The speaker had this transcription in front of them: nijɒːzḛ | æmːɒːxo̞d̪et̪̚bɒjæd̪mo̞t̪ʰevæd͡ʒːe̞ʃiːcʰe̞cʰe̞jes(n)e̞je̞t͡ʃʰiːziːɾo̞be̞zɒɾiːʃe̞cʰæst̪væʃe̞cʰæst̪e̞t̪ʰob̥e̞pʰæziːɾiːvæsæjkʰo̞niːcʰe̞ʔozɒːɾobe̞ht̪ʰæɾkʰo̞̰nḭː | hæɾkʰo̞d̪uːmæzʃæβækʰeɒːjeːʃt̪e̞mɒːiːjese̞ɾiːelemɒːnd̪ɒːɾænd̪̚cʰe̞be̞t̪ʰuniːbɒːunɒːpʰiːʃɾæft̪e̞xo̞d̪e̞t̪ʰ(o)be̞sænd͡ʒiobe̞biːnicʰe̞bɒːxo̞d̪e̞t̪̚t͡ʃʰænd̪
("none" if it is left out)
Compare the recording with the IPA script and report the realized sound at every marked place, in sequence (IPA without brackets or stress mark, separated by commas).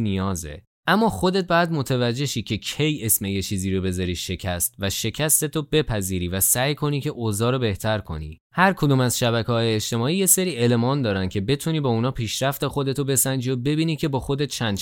m, o